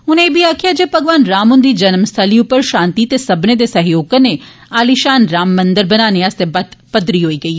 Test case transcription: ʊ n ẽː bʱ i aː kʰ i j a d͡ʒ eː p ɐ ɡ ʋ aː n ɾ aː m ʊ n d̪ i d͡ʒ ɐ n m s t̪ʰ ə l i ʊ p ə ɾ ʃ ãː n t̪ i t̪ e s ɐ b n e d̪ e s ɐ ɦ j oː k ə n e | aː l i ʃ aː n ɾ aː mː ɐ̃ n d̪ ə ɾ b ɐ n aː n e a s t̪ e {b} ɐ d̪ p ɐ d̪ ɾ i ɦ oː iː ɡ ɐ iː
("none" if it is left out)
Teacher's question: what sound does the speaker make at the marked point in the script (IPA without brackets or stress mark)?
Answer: b